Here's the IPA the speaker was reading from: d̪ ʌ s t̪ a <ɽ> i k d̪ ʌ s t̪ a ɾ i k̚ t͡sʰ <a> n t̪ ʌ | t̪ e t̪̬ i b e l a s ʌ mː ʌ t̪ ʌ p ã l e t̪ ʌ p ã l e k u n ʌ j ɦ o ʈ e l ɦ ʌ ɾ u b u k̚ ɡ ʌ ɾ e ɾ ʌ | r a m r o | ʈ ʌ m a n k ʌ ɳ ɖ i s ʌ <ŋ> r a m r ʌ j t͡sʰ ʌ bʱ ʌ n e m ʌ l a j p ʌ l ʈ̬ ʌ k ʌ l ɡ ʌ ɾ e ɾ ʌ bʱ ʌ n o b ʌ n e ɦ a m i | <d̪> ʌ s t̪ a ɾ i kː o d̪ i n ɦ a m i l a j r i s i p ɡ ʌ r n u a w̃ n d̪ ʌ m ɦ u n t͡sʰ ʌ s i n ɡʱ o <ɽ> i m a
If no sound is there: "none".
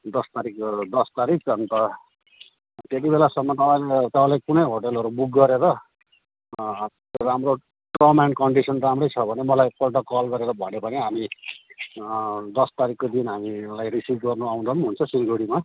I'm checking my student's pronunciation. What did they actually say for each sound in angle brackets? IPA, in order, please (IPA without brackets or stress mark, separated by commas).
ɾ, ʌ, n, d̪, ɽ